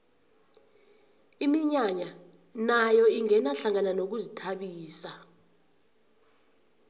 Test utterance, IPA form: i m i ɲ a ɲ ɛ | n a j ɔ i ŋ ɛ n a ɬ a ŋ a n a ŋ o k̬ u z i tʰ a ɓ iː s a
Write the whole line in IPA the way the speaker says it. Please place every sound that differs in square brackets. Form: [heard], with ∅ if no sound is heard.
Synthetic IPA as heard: i m i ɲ a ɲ [a] | n a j ɔ i ŋ ɛ n a ɬ a ŋ a n a [n] o k̬ u z i tʰ a ɓ iː s a